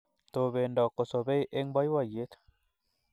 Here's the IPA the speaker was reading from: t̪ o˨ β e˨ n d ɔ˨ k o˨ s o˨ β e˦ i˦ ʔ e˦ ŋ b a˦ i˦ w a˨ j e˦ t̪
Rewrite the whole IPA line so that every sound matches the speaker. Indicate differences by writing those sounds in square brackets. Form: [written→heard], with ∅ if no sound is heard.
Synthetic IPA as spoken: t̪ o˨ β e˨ n d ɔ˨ k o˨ s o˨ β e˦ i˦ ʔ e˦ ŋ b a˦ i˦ w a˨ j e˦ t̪

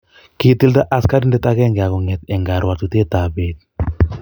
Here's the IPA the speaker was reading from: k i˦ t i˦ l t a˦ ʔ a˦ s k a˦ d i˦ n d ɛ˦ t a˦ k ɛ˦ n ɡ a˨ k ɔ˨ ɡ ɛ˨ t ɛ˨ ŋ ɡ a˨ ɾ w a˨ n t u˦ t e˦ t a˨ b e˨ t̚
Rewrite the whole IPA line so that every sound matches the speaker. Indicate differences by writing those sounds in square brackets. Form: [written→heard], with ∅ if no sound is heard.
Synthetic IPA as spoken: k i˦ t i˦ l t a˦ ʔ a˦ s k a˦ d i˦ n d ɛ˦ t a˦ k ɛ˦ [n→ŋ] ɡ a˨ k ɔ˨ [ɡ→ŋ] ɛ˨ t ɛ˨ ŋ ɡ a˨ ɾ w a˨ [n→∅] t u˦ t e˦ t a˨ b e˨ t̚

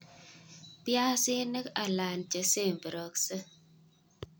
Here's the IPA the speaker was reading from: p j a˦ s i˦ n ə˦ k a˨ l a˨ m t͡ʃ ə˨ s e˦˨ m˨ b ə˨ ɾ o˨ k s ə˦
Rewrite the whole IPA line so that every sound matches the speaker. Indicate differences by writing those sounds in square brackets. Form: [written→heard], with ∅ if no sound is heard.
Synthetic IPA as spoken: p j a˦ s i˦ n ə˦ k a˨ l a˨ [m→n] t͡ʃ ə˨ s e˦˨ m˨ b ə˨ ɾ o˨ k s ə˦

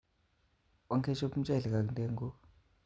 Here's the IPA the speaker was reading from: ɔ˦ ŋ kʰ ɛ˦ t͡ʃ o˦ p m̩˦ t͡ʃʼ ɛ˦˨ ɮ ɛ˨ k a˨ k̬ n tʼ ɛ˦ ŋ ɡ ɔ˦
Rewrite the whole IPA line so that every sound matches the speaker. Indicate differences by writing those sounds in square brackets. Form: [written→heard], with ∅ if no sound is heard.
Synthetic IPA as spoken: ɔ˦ ŋ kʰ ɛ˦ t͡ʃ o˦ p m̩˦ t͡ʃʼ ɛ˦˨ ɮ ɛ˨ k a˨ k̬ n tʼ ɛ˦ ŋ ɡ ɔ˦

